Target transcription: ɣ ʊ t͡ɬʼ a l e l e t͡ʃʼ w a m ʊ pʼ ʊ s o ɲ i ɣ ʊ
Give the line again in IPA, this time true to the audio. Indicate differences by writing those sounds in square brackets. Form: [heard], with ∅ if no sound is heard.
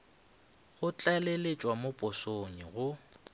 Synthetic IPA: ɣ ʊ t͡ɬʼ a l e l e t͡ʃʼ w a m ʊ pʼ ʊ s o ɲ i ɣ ʊ